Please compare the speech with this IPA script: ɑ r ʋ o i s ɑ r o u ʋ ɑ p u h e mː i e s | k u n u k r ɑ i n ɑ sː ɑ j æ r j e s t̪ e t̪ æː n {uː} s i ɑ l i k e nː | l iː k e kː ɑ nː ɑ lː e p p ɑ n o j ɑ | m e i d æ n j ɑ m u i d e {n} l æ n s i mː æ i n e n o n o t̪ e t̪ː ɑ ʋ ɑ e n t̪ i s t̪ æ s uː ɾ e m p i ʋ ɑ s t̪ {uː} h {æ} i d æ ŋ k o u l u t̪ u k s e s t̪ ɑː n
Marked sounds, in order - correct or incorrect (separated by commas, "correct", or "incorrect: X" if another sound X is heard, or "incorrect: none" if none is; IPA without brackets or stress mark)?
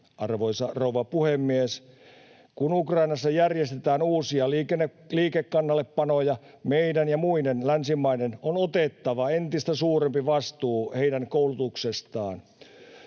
correct, correct, correct, incorrect: e